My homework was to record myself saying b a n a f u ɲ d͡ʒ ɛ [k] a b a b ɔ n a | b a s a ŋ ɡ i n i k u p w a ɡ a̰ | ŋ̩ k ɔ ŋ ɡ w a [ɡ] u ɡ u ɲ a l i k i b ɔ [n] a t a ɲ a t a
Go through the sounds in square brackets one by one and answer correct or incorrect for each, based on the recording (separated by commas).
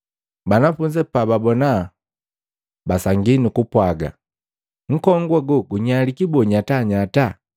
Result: incorrect, correct, incorrect